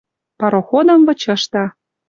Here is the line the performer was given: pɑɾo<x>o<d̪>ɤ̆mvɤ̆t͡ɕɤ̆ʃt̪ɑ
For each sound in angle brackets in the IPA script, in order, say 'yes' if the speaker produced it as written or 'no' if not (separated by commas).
yes, yes